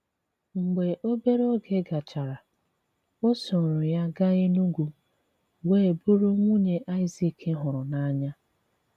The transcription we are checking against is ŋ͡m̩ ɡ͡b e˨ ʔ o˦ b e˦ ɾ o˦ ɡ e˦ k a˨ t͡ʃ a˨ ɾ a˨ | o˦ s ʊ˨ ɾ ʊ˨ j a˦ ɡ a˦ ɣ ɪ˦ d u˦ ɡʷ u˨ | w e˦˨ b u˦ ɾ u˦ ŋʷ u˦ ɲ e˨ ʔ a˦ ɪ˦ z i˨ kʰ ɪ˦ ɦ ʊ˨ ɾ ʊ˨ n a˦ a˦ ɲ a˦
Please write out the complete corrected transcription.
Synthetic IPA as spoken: ŋ͡m̩ ɡ͡b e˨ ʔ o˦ b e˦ ɾ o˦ ɡ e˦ ɡ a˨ t͡ʃ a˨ ɾ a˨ | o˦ s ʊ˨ ɾ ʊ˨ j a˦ ɡ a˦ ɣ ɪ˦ n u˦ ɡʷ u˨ | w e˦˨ b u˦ ɾ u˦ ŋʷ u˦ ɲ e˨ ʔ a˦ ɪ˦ z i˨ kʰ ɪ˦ ɦ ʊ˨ ɾ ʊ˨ n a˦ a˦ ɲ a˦